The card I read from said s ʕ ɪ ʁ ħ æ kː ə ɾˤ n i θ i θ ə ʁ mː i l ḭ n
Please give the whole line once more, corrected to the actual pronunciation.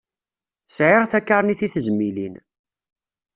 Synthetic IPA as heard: s ʕ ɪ ʁ θ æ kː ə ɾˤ n i θ i θ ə z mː i l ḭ n